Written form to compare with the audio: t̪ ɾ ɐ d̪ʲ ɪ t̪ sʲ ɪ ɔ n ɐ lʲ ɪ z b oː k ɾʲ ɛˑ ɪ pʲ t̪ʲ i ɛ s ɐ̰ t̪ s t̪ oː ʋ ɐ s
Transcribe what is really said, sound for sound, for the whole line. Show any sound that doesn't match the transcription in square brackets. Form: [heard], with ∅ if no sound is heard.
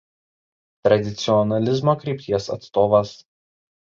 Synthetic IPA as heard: t̪ ɾ ɐ d̪ʲ ɪ t̪ sʲ ɪ ɔ n ɐ lʲ ɪ z [m] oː k ɾʲ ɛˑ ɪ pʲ t̪ʲ i ɛ s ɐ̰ t̪ s t̪ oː ʋ ɐ s